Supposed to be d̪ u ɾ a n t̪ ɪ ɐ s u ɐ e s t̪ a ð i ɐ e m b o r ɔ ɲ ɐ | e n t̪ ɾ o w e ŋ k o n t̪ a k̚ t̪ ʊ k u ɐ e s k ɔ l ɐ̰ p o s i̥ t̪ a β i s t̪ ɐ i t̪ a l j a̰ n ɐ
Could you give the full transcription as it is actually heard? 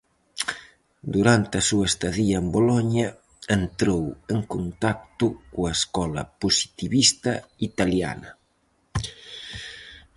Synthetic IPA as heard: d̪ u ɾ a n t̪ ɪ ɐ s u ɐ e s t̪ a ð i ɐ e m b o l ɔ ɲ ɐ | e n t̪ ɾ o w e ŋ k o n t̪ a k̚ t̪ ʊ k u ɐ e s k ɔ l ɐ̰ p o s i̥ t̪ i β i s t̪ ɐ i t̪ a l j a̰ n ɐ